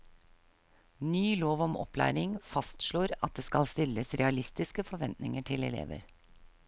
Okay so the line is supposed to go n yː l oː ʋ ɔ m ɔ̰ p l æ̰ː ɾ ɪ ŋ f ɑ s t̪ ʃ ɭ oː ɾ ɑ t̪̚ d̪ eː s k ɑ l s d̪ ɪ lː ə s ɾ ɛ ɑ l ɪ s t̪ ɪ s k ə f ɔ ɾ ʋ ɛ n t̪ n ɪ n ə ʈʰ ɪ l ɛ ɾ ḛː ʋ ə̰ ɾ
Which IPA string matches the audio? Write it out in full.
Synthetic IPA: n yː l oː ʋ ɔ m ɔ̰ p l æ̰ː ɾ ɪ ŋ f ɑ s t̪ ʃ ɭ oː ɾ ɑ t̪̚ d̪ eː s k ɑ l s t̪ ɪ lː ə s ɾ ɛ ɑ l ɪ s t̪ ɪ s k ə f ɔ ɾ ʋ ɛ n t̪ n ɪ ŋ ə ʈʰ ɪ l ɛ l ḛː ʋ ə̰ ɾ